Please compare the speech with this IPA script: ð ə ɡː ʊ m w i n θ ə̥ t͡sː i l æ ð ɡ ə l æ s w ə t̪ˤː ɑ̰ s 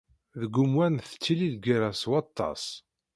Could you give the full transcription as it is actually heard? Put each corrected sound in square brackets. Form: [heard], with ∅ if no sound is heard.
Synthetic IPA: ð ə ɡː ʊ m w [æ] n θ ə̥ t͡sː i l [i] ð ɡ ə [ɾ] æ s w [ɑ] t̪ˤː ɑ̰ s